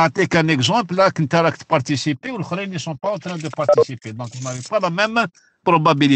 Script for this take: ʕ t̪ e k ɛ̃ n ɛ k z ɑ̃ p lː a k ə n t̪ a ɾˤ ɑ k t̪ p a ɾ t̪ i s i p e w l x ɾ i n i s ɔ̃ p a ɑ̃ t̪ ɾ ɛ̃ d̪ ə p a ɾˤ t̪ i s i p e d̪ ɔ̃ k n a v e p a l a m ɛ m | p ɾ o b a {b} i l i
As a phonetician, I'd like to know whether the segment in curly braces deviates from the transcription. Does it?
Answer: no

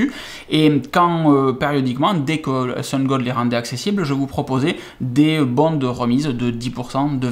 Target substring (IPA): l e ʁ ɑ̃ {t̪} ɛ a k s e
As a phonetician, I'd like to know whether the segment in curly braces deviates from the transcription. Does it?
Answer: yes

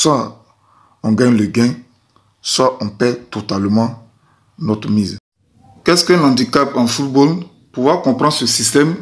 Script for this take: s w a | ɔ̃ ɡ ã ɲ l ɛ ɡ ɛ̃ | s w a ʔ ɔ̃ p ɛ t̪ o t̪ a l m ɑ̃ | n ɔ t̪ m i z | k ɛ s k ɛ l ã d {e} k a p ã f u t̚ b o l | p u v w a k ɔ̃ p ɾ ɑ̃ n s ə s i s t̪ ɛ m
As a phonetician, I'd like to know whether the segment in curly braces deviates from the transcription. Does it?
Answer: yes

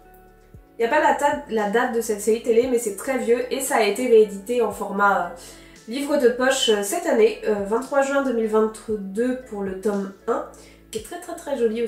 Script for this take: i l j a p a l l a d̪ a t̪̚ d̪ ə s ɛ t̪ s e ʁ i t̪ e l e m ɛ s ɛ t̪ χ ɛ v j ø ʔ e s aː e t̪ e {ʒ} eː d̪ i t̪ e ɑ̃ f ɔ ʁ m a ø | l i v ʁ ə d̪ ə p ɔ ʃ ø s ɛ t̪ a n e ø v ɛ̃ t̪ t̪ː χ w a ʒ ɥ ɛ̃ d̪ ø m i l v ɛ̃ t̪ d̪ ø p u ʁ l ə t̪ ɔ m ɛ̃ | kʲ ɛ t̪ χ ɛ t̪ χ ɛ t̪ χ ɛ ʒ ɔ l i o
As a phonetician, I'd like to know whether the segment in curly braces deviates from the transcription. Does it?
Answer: yes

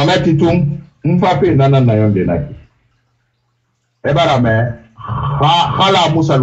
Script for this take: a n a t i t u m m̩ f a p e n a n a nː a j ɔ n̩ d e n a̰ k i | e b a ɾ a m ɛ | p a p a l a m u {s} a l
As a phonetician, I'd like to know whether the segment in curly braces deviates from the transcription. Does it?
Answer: no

